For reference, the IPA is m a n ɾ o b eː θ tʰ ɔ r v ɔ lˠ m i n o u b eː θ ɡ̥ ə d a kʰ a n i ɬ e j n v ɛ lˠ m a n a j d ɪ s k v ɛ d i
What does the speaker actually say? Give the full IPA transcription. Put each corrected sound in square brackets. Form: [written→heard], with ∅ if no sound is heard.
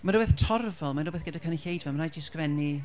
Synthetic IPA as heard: m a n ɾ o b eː θ tʰ ɔ r v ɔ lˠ m [i→a] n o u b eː θ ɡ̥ ə d a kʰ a n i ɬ e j [n→d] v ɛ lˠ m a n a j d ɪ s k v ɛ [d→n] i